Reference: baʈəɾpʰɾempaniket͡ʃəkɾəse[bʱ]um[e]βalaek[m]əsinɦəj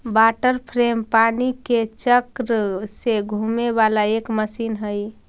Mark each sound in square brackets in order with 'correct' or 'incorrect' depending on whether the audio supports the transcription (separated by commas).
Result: incorrect, correct, correct